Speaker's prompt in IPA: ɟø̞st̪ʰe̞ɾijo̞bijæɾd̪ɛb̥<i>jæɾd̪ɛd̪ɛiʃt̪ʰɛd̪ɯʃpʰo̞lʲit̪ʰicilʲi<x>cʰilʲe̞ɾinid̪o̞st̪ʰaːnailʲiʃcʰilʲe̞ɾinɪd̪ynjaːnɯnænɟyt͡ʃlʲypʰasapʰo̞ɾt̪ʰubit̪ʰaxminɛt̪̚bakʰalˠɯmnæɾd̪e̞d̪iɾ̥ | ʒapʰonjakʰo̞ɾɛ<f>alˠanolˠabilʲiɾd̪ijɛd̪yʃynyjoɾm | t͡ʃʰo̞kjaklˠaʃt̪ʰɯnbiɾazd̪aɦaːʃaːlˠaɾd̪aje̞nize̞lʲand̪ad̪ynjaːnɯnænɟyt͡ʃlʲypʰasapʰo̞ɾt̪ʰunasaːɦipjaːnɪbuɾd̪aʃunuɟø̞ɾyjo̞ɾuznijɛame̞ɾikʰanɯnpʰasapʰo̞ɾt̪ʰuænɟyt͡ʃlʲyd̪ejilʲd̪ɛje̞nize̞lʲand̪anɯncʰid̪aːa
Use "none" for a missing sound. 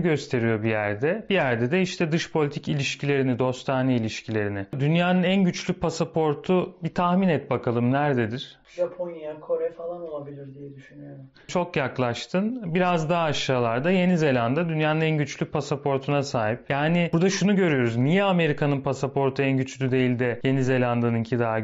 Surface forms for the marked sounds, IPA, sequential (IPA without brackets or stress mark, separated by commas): i, ʃ, f